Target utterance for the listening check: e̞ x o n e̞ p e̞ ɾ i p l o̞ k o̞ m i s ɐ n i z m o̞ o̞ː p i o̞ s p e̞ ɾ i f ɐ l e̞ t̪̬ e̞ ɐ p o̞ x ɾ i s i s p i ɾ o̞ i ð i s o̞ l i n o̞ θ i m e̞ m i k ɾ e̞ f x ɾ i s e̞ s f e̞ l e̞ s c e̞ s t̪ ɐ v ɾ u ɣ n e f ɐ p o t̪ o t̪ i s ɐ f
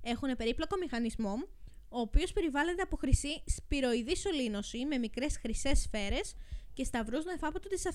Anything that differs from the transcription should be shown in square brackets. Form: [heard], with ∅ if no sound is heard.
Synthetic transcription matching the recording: e̞ x [u] n e̞ p e̞ ɾ i p l o̞ k o̞ m i [x] ɐ n i z m o̞ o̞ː p i o̞ s p e̞ ɾ i [v] ɐ l e̞ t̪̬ e̞ ɐ p o̞ x ɾ i s i s p i ɾ o̞ i ð i s o̞ l i n o̞ [s] i m e̞ m i k ɾ e̞ [s] x ɾ i s e̞ s f e̞ [ɾ] e̞ s c e̞ s t̪ ɐ v ɾ u [z] n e f ɐ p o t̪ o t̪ i s ɐ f